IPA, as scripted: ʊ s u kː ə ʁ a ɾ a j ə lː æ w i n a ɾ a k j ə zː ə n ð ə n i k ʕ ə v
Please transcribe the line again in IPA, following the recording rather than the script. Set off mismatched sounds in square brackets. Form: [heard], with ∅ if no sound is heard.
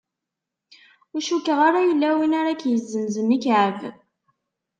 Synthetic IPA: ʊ [ʃ] u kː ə ʁ a ɾ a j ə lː æ w i n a ɾ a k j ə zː ə n [z] ə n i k ʕ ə v

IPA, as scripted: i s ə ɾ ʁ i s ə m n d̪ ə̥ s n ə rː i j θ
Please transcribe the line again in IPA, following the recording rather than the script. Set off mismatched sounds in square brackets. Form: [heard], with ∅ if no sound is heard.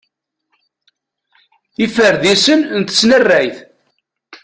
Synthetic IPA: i [f] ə ɾ [ð] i s ə [n] n [t̪] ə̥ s n ə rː [æ] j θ

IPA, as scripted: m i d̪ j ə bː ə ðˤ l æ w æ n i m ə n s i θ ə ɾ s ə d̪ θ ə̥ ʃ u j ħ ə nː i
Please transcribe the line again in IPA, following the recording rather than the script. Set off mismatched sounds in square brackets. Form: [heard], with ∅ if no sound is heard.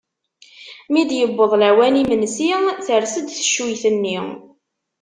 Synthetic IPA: m i d̪ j ə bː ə ðˤ l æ w æ n i m ə n s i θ ə ɾ s ə d̪ θ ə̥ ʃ u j [θ] ə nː i

